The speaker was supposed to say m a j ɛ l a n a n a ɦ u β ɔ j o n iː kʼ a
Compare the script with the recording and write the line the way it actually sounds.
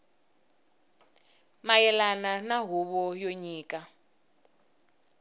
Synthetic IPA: m a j ɛ l a n a n a ɦ u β ɔ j o ɲ iː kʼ a